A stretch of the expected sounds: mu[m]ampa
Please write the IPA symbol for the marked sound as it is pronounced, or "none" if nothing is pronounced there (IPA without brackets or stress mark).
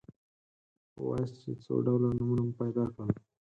n